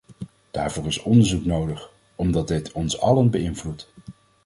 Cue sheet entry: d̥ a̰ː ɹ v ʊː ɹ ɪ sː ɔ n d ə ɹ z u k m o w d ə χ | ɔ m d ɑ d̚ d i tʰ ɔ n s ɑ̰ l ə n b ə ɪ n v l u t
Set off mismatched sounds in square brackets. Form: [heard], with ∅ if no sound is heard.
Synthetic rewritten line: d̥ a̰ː ɹ v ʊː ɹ ɪ [s] ɔ n d ə ɹ z u k [n] o w d ə χ | ɔ m d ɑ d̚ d [ɪ] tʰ ɔ n s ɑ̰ l ə n b ə ɪ n v l u t